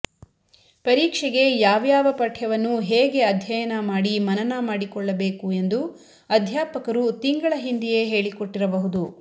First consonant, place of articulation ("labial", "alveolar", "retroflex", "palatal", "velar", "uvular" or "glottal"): labial